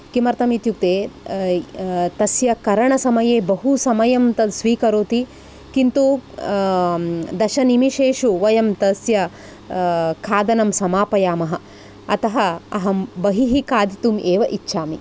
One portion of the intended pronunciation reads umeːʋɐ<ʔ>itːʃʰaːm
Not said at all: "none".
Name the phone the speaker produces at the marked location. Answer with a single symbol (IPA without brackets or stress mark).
ʔ